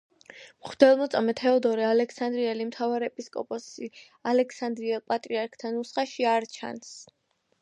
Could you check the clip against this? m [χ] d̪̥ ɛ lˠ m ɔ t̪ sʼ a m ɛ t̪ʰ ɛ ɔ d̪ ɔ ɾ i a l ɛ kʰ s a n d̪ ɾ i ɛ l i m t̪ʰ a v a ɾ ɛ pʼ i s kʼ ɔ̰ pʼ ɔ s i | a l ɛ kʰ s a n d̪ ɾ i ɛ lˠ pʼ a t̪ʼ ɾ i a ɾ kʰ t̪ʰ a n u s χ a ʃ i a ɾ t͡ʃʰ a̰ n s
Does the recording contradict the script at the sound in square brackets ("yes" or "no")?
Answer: no